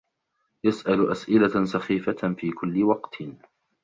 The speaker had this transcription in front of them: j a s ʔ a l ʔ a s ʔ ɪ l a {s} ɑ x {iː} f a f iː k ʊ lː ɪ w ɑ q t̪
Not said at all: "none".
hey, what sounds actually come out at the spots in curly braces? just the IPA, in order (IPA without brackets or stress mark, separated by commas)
s, iː